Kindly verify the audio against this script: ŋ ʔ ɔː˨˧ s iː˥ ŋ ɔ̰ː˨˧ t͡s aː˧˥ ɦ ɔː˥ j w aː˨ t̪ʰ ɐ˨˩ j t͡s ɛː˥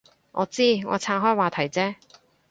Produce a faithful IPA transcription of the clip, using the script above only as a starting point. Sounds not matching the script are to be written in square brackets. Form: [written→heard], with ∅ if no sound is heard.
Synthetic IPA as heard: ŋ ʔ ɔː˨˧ [s→t͡s] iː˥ ŋ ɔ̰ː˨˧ [t͡s→t͡sʰ] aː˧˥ ɦ ɔː˥ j w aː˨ t̪ʰ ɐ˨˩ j t͡s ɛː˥

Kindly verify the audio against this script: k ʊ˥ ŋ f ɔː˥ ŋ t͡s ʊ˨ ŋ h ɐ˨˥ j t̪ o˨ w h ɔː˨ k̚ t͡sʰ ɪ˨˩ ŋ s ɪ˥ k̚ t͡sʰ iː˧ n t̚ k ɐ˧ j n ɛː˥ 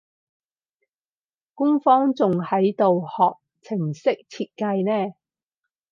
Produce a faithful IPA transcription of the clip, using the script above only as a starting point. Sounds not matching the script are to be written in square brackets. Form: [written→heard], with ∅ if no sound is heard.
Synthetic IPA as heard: k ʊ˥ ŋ f ɔː˥ ŋ t͡s ʊ˨ ŋ h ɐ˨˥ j t̪ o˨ w h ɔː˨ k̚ t͡sʰ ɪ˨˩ ŋ s ɪ˥ k̚ t͡sʰ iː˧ [n→∅] t̚ k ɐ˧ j n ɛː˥

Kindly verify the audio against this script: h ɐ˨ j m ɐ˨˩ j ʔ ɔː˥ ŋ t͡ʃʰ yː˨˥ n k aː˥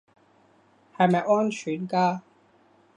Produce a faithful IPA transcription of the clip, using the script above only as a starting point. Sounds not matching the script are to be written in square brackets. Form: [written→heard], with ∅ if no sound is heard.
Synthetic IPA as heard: h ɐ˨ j m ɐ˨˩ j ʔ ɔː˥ [ŋ→n] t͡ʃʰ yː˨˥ n k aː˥

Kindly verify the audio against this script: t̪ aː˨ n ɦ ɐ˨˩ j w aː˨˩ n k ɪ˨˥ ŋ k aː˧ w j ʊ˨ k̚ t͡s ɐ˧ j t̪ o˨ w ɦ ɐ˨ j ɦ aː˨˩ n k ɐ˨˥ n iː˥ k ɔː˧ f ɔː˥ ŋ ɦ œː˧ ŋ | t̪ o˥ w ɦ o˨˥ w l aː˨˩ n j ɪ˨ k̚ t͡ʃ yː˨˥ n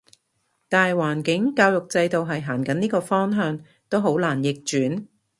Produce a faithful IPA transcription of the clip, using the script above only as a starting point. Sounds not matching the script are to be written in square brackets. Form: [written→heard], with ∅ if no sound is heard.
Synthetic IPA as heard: t̪ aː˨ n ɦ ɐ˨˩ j w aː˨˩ n k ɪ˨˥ ŋ k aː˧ w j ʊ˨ k̚ t͡s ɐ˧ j t̪ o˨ w ɦ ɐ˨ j ɦ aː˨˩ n k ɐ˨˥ n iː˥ k ɔː˧ f ɔː˥ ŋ ɦ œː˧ ŋ | t̪ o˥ w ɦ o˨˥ w l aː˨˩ n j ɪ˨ k̚ t͡ʃ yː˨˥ n

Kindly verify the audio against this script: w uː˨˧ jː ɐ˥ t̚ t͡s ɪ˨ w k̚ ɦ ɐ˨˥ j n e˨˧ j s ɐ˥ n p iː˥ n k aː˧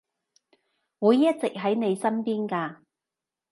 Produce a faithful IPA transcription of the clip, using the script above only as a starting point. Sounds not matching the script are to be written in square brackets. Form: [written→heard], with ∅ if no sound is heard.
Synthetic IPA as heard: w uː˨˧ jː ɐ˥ t̚ t͡s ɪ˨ [w→∅] k̚ ɦ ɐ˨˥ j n e˨˧ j s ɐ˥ n p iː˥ n k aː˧

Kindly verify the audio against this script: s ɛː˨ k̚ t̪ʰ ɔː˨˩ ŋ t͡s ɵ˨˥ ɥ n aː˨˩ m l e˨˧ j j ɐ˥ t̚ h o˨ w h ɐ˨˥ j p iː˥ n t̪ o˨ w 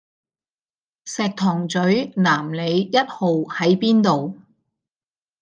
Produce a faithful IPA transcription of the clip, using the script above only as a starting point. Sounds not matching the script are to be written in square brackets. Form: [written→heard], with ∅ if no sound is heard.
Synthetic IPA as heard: s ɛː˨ k̚ t̪ʰ ɔː˨˩ ŋ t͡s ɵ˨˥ ɥ n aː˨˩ m l e˨˧ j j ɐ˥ t̚ h o˨ w h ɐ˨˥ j p iː˥ n t̪ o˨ w

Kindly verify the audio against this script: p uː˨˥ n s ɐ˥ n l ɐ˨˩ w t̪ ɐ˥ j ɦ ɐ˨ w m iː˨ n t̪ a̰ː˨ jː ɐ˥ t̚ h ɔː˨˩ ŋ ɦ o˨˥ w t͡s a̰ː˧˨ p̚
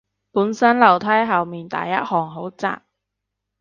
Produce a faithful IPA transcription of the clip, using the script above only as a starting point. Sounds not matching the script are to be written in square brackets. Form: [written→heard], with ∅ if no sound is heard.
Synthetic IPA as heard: p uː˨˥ n s ɐ˥ n l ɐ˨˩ w [t̪→t̪ʰ] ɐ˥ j ɦ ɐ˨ w m iː˨ n t̪ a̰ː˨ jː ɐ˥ t̚ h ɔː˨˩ ŋ ɦ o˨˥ w t͡s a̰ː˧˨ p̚

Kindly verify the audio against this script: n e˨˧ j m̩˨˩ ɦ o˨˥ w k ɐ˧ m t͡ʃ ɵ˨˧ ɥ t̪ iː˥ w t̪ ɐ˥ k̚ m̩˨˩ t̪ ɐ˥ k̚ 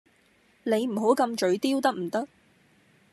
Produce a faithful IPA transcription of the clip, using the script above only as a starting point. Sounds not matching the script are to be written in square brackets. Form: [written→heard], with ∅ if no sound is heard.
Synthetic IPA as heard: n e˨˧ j m̩˨˩ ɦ o˨˥ w k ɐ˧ m t͡ʃ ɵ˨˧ ɥ t̪ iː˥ w t̪ ɐ˥ k̚ m̩˨˩ t̪ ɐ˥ k̚

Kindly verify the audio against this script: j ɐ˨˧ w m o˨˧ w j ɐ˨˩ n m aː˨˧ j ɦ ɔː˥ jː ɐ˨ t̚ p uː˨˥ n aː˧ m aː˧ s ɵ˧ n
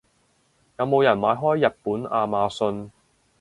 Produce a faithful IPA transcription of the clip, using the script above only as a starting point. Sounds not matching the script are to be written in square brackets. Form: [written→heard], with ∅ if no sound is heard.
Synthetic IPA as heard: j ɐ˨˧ w m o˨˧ w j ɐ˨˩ n m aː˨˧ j ɦ ɔː˥ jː ɐ˨ t̚ p uː˨˥ n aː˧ m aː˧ s ɵ˧ n

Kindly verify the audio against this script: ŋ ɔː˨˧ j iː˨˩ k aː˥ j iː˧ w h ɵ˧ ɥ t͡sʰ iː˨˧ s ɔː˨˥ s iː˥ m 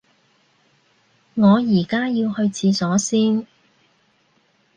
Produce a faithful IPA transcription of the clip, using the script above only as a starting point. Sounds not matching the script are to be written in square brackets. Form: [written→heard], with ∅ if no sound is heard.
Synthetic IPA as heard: ŋ ɔː˨˧ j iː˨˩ k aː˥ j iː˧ w h ɵ˧ ɥ t͡sʰ iː˨˧ s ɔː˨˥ s iː˥ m

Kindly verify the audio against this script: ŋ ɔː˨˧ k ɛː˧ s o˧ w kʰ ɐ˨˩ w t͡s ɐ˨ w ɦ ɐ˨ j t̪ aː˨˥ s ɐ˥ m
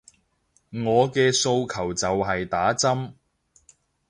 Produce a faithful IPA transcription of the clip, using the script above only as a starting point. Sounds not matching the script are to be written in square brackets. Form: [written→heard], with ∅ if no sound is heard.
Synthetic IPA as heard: ŋ ɔː˨˧ k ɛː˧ s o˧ w kʰ ɐ˨˩ w t͡s ɐ˨ w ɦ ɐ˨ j t̪ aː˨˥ [s→t͡s] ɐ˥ m

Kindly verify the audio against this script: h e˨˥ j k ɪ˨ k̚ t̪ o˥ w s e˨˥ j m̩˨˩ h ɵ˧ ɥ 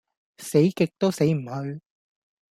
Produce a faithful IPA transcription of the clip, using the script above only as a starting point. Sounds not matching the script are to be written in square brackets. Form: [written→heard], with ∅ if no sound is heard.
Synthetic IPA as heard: [h→s] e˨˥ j k ɪ˨ k̚ t̪ o˥ w s e˨˥ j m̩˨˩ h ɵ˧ ɥ

